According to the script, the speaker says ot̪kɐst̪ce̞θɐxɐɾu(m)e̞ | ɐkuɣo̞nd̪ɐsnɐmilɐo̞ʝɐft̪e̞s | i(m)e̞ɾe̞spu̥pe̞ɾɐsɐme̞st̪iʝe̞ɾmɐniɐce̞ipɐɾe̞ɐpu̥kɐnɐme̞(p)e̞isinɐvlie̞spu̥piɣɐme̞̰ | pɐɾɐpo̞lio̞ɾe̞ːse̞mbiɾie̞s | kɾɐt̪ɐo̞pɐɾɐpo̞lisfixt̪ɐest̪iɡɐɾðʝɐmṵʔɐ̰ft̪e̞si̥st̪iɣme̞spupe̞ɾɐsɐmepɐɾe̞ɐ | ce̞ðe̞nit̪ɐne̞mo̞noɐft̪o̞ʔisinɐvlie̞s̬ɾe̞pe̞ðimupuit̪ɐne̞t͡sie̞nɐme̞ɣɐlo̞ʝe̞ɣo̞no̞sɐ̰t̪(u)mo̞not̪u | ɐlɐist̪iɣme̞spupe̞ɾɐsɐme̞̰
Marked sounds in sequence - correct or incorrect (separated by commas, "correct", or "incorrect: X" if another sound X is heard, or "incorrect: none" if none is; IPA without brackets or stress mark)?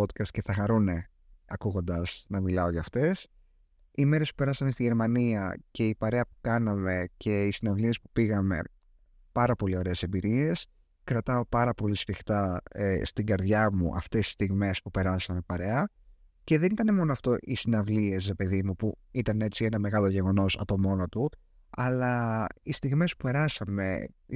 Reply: incorrect: n, correct, incorrect: c, incorrect: o